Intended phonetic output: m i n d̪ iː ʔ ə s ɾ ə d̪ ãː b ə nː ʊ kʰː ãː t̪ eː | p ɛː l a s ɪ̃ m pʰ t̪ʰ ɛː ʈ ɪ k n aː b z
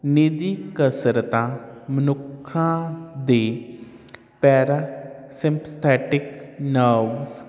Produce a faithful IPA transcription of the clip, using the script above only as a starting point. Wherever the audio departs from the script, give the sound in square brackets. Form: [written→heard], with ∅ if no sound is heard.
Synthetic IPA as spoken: [m→n] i [n→∅] d̪ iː [ʔ→k] ə s ɾ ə [d̪→t̪] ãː [b→m] ə [nː→n] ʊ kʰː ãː [t̪→d̪] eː | p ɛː [l→ɾ] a s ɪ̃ m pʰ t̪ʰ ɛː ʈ ɪ k n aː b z